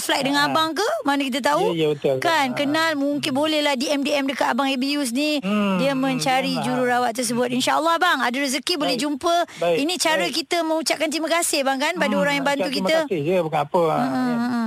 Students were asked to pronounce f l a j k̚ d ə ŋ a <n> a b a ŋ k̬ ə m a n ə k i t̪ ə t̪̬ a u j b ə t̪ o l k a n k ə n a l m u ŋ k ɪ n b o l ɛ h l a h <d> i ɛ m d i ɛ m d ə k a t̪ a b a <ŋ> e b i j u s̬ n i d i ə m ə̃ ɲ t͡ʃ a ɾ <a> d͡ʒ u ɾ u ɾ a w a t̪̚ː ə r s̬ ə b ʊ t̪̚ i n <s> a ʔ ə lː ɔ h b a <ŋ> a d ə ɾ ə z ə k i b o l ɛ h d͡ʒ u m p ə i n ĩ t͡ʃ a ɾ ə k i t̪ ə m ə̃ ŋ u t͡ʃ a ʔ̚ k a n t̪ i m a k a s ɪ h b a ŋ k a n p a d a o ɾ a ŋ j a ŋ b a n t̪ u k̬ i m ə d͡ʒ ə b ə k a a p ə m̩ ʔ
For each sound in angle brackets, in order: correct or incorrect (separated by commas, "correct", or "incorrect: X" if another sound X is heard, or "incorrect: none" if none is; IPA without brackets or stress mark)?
correct, correct, correct, incorrect: i, incorrect: ʃ, correct